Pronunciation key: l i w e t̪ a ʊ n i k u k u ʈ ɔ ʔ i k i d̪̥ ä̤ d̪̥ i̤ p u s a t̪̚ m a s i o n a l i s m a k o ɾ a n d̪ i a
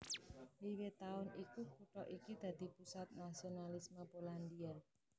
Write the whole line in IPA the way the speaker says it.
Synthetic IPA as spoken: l i w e t̪ a ʊ n i k u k u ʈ ɔ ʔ i k i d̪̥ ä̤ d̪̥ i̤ p u s a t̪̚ n a s i o n a l i s m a p o l a n d̪ i a